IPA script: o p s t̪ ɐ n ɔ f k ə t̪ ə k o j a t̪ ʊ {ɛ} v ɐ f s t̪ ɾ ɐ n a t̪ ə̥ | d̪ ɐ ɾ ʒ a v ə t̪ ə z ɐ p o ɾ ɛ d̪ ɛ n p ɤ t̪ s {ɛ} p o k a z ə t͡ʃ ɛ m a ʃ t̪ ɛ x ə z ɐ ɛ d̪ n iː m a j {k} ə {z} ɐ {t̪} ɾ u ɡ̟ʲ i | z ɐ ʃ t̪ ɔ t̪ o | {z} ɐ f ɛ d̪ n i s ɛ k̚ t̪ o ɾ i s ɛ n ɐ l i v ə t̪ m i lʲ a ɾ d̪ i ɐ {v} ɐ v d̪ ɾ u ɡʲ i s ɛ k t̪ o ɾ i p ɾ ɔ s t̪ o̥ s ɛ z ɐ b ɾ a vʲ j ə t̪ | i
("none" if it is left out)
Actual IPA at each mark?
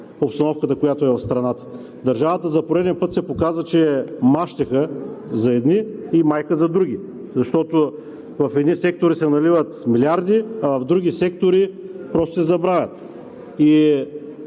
ɛ, ɛ, k, z, d̪, v, v

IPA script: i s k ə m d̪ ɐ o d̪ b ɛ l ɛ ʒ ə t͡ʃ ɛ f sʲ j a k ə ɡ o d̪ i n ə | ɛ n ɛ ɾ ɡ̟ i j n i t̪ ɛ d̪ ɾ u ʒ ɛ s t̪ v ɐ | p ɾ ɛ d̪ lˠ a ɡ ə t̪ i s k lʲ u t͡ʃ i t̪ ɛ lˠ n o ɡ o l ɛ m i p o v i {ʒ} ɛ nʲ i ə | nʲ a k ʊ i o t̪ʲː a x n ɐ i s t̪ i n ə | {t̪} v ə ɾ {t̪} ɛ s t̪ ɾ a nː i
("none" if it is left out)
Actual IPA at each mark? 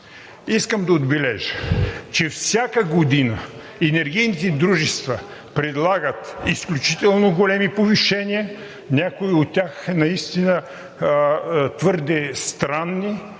ʃ, t̪, d̪

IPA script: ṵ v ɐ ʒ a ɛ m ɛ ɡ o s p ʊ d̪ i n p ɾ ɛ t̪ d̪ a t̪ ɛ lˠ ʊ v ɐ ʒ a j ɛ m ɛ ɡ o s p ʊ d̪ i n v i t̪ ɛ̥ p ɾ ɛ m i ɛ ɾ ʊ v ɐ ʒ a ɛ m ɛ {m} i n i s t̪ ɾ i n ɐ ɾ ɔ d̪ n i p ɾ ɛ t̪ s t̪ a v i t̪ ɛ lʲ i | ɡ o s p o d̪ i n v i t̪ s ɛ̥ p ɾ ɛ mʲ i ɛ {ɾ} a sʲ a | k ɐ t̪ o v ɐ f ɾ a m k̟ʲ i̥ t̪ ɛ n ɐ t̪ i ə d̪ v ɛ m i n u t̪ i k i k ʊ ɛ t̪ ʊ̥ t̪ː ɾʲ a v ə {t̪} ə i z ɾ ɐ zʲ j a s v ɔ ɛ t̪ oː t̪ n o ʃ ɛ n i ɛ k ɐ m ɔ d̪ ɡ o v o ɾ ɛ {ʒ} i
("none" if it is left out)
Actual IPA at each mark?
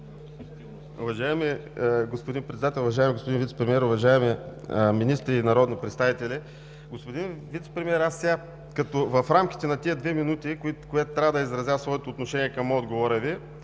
m, ɾ, d̪, v

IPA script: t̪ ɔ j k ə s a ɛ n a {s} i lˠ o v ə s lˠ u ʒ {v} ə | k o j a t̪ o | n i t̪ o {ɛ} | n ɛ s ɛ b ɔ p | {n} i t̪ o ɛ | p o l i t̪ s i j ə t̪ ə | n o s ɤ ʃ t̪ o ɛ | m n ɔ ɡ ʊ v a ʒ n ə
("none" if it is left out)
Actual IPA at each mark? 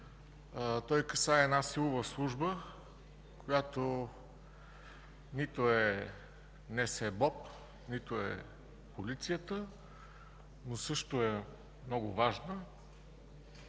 s, b, ɛ, n

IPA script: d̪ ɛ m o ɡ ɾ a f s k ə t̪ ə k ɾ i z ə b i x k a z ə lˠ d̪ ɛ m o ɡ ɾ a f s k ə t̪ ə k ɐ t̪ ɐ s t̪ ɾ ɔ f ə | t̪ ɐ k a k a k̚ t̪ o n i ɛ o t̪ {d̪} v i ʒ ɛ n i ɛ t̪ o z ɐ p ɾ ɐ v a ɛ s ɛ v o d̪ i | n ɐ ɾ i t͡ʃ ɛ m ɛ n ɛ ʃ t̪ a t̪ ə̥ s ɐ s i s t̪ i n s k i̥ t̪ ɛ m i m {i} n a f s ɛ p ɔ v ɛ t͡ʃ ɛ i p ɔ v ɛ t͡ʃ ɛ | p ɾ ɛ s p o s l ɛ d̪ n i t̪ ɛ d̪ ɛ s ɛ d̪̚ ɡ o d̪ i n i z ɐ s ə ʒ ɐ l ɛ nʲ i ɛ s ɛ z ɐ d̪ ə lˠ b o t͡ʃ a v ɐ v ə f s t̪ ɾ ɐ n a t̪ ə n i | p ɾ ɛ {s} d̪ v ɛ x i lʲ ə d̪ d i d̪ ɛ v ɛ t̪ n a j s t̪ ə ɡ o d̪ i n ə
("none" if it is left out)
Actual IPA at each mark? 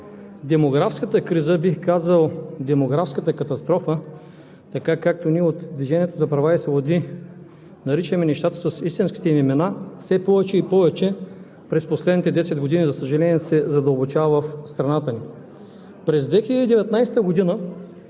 d̪, ɛ, z

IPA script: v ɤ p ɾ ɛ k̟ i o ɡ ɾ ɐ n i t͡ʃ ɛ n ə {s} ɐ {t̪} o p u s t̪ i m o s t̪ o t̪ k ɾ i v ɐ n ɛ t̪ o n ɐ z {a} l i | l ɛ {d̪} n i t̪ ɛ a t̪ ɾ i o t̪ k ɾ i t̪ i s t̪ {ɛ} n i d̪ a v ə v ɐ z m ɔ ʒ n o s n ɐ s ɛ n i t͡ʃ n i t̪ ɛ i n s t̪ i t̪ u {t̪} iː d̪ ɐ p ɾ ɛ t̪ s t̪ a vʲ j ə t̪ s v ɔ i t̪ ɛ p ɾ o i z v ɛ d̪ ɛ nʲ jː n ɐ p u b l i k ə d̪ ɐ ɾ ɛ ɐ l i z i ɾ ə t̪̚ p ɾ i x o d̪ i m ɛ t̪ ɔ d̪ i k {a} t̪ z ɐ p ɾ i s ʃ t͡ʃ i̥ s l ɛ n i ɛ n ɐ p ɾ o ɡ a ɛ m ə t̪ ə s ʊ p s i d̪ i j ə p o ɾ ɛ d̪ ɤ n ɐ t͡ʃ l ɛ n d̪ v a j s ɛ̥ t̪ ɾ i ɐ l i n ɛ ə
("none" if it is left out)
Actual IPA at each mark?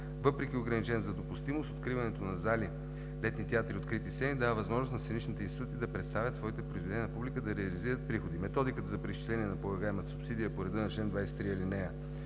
z, d̪, a, t̪, ɛ, t̪, ə

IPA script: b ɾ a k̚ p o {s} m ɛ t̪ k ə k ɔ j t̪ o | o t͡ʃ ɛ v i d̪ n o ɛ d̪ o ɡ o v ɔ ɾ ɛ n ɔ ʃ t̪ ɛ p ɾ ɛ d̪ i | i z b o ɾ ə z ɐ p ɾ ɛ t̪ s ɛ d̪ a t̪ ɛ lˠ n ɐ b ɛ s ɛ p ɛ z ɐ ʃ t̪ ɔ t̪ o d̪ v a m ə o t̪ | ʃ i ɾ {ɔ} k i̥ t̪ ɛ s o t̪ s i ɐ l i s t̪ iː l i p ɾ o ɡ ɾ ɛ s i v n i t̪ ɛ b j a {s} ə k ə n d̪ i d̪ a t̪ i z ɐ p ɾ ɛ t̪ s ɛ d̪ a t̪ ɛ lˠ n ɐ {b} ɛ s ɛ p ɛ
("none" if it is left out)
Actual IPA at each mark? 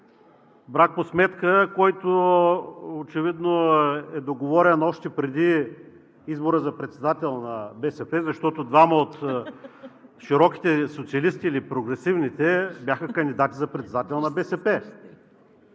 s, ɔ, x, b

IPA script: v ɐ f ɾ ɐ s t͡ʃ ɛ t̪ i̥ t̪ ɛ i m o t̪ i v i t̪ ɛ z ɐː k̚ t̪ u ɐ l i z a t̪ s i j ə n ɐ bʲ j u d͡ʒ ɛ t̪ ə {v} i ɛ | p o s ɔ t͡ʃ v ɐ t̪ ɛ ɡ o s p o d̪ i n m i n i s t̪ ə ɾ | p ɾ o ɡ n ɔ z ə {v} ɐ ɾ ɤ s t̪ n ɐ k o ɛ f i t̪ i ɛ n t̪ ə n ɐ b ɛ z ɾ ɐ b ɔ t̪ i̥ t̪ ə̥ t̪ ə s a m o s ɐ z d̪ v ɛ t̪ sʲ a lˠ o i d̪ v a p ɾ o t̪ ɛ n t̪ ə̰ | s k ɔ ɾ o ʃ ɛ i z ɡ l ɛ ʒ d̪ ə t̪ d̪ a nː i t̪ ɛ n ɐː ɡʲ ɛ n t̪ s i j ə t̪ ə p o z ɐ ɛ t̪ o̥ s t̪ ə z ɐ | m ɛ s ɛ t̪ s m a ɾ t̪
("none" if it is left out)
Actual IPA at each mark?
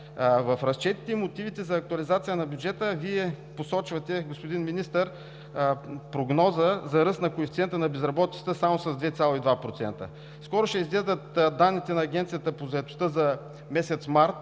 v, z

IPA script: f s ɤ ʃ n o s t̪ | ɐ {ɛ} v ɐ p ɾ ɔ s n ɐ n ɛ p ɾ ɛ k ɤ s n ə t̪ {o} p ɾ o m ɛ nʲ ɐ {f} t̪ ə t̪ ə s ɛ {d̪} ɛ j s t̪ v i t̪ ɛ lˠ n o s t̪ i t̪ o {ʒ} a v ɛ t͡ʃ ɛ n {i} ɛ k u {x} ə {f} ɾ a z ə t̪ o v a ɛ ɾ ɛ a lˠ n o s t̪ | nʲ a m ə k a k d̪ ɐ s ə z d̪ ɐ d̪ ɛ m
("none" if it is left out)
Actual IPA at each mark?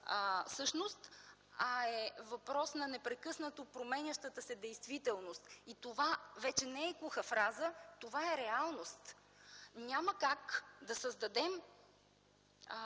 ɛ, o, ʃ, d̪, v, ɛ, x, f

